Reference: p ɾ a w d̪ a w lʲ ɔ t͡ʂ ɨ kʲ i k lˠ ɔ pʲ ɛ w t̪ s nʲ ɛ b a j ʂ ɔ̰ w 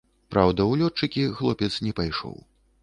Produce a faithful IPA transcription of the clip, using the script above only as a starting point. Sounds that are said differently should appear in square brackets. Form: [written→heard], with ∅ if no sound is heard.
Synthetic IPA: p ɾ a w d̪ [a→ɐ] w lʲ ɔ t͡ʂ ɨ kʲ i [k→x] lˠ ɔ pʲ ɛ [w→∅] t̪ s nʲ ɛ [b→p] a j ʂ ɔ̰ w

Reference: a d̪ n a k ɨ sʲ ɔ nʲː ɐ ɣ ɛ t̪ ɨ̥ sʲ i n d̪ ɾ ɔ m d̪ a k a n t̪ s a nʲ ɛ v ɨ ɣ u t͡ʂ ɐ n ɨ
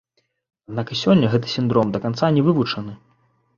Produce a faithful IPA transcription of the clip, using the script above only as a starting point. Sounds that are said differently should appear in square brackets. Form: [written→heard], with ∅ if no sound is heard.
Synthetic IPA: a d̪ n a k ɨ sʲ ɔ nʲː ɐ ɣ ɛ t̪ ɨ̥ sʲ i n d̪ ɾ ɔ m d̪ [a→ɐ] k a n t̪ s a nʲ ɛ v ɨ [ɣ→v] u t͡ʂ ɐ n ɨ

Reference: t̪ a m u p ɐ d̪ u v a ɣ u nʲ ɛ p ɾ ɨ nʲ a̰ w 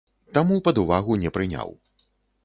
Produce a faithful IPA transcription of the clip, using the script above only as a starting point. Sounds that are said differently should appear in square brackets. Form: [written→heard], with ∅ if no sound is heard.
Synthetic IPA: t̪ a m u p ɐ d̪ u v a ɣ u nʲ ɛ p ɾ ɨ nʲ a̰ w

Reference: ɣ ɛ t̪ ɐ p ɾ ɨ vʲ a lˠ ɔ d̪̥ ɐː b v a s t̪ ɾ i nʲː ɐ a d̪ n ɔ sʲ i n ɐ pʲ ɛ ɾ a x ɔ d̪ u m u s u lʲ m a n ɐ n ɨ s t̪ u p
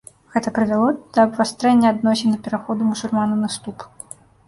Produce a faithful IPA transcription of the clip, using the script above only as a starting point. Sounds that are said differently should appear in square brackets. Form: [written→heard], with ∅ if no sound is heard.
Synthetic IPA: ɣ ɛ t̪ ɐ p ɾ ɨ vʲ a lˠ ɔ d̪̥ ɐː b v a s t̪ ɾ [i→ɛ] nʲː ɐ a d̪ n ɔ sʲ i n ɐ pʲ ɛ ɾ a x ɔ d̪ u m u s u lʲ m a n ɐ n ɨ s t̪ u p

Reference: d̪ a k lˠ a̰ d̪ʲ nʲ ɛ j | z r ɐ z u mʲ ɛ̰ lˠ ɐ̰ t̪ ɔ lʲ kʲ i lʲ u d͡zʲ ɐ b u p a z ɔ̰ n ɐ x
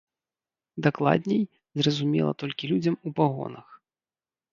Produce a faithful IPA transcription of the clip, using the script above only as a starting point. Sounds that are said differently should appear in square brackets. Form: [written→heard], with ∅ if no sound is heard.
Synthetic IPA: d̪ a k lˠ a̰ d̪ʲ nʲ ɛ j | z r ɐ z u mʲ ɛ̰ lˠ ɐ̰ t̪ ɔ lʲ kʲ i lʲ u d͡zʲ ɐ [b→m] u p a [z→ɣ] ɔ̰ n ɐ x

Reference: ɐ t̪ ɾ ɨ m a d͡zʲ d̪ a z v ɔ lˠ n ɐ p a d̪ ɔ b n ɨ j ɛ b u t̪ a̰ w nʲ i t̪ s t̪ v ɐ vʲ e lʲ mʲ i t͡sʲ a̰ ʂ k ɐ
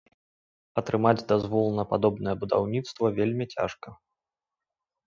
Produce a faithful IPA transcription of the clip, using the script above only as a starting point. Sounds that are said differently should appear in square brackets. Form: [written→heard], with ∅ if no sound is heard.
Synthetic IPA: ɐ t̪ ɾ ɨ m a d͡zʲ d̪ a z v ɔ lˠ n ɐ p a d̪ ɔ b n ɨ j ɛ b u [t̪→d̪] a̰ w nʲ i t̪ s t̪ v ɐ vʲ e lʲ mʲ i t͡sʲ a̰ ʂ k ɐ

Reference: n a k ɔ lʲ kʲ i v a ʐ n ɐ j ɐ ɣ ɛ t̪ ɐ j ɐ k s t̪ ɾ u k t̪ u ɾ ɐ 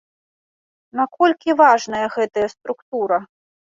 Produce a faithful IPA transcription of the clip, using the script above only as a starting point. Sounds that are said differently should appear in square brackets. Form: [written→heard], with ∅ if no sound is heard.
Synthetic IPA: n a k ɔ lʲ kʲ i v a ʐ n ɐ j ɐ ɣ ɛ t̪ ɐ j ɐ [k→∅] s t̪ ɾ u k t̪ u ɾ ɐ

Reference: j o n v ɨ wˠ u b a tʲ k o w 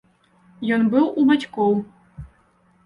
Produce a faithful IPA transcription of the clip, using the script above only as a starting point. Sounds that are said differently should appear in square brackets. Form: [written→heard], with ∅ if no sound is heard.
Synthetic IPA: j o n [v→b] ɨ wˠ u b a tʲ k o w

